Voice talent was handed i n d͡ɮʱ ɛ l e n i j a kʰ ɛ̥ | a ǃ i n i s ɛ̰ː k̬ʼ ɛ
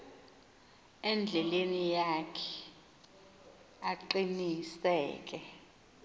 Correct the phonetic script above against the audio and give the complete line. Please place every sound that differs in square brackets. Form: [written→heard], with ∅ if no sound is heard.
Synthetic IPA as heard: [i→ɛ] n d͡ɮʱ ɛ l e n i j a kʰ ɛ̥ | a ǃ i n i s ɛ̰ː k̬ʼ ɛ